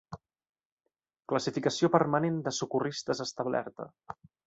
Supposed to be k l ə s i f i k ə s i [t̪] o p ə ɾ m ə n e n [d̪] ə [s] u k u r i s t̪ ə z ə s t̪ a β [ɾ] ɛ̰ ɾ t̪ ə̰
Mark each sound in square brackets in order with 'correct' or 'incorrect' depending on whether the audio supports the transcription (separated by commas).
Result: incorrect, correct, correct, incorrect